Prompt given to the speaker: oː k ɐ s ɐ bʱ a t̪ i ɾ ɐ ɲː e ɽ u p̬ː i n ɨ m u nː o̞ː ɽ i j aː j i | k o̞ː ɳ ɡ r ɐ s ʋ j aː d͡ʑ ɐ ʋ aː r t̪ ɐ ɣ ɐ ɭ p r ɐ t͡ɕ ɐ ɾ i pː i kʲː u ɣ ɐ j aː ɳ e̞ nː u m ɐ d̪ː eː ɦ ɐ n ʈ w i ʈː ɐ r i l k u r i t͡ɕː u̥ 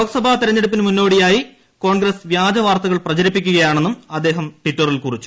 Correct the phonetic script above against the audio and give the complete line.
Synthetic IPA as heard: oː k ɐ s ɐ bʱ a t̪ i ɾ ɐ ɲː e ɽ u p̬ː i n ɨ m u nː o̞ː ɽ i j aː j i | k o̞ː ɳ ɡ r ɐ s ʋ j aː d͡ʑ ɐ ʋ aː r t̪ ɐ ɣ ɐ ɭ p r ɐ t͡ɕ ɐ ɾ i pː i kʲː u ɣ ɐ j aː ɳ e̞ nː u m ɐ d̪ː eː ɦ ɐ m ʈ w i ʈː ɐ r i l k u r i t͡ɕː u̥